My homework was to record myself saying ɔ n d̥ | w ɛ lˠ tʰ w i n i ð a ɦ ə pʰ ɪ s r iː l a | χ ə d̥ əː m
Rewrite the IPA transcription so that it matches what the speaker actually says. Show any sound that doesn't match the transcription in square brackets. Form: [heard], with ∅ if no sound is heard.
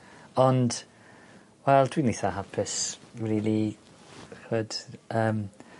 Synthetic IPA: ɔ n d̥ | w ɛ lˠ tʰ w i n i [θ] a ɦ [a] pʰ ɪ s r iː l [i] | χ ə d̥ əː m